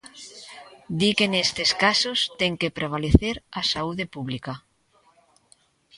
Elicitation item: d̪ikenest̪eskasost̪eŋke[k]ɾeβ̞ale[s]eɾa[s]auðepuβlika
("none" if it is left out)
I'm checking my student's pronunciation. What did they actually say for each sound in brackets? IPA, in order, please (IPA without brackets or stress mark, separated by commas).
p, θ, s